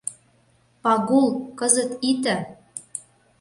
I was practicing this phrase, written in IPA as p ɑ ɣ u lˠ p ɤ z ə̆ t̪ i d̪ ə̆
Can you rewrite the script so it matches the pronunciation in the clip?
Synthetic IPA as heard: p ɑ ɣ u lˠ k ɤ z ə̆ t̪ i t̪ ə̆